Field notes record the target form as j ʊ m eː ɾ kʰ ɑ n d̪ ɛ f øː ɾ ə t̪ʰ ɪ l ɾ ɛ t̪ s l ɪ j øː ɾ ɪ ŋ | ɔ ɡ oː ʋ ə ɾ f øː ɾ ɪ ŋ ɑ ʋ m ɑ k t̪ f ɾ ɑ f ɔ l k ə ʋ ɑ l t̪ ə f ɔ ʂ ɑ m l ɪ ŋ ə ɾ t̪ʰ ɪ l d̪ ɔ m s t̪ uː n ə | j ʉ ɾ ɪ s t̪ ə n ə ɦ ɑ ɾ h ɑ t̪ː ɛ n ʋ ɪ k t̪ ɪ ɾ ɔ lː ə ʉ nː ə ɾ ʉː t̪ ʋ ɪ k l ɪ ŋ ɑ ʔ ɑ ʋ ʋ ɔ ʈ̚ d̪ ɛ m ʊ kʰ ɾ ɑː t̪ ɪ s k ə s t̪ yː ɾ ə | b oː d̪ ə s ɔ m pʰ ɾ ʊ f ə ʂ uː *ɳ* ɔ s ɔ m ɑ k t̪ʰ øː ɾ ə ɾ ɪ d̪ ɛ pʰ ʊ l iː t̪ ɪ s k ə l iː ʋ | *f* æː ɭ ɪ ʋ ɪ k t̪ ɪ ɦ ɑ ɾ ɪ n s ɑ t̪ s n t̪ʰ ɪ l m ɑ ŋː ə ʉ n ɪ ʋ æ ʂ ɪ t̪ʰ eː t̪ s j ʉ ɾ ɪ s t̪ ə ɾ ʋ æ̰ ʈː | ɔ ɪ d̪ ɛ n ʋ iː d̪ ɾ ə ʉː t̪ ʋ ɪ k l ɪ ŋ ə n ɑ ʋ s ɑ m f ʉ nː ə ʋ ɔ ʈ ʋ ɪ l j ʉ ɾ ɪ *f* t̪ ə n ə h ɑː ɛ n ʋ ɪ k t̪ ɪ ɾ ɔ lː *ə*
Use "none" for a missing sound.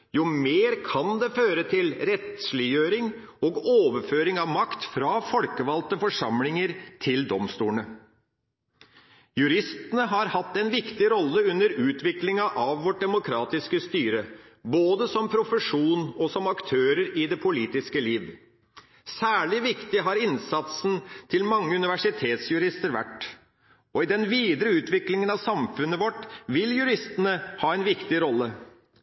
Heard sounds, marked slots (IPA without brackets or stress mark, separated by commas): n, s, s, ə